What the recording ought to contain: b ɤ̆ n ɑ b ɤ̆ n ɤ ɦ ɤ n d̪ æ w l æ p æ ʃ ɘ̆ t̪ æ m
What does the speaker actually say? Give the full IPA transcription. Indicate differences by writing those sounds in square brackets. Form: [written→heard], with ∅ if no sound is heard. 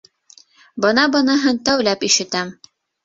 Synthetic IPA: b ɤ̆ n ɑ b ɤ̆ n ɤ ɦ ɤ n [d̪→t̪] æ w l æ p [æ→i] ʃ ɘ̆ t̪ æ m